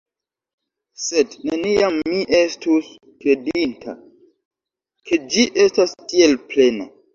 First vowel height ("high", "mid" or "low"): mid